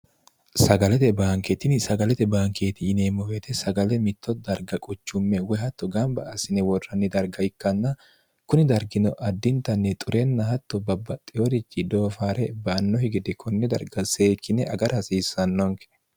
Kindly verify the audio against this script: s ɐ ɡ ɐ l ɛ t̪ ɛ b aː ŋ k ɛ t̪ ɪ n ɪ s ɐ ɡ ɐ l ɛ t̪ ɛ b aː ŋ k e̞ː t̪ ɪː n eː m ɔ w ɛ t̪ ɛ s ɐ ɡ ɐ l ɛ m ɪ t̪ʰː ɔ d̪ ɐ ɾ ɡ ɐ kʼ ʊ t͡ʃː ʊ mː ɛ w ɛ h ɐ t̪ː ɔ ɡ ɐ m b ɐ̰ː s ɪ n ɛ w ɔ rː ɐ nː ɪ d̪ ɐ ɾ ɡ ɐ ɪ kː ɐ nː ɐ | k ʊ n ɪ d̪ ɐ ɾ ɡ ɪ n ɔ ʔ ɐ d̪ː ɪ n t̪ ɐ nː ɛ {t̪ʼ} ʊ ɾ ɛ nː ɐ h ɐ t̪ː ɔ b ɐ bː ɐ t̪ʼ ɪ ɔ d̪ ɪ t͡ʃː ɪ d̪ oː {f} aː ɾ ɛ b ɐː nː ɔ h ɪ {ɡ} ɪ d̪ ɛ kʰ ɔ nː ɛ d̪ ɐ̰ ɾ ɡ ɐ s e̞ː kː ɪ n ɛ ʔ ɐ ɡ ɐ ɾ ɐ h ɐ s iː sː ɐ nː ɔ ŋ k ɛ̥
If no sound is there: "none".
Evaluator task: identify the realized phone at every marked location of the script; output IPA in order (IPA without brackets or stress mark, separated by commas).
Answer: t̪ʼ, f, ɡ